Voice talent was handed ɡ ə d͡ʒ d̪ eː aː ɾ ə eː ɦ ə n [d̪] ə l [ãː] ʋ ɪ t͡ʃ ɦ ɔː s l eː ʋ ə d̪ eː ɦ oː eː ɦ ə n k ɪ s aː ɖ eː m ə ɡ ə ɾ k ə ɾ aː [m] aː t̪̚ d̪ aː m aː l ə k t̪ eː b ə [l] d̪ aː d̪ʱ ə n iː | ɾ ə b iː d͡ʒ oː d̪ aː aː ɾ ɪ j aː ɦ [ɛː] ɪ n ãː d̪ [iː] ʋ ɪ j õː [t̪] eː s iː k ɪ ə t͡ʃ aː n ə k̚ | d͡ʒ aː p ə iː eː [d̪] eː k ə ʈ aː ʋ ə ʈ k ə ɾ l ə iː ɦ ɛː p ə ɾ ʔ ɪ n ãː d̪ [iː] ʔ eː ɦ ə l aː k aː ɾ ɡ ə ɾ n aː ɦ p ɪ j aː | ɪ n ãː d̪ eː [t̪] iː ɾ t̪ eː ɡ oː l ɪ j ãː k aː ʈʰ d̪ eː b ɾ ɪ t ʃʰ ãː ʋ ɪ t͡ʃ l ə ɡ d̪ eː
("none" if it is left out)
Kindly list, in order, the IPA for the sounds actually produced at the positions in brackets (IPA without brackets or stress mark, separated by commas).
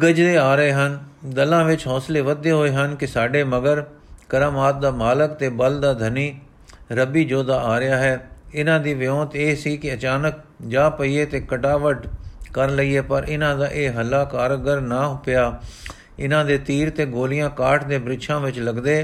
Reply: d̪, ãː, m, l, ɛː, iː, t̪, t̪, aː, t̪